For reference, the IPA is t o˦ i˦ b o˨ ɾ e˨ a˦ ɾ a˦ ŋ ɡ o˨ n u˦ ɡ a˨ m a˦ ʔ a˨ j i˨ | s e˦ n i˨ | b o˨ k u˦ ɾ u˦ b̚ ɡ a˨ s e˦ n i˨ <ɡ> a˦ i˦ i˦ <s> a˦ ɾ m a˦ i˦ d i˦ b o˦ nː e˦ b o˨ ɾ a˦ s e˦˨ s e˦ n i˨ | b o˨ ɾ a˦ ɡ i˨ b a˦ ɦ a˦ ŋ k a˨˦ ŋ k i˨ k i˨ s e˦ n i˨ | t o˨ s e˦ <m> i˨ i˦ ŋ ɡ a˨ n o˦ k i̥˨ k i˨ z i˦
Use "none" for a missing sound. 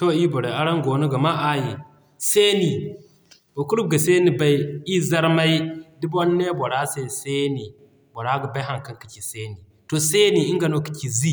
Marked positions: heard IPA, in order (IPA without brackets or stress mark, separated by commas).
b, z, n